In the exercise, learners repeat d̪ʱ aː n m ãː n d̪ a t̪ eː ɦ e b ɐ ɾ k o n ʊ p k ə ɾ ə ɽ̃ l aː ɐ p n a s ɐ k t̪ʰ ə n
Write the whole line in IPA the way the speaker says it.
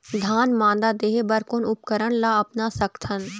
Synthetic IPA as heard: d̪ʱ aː n m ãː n d̪ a d̪ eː ɦ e b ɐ ɾ k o n ʊ p k ə ɾ ə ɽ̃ l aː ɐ p n a s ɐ k t̪ʰ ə n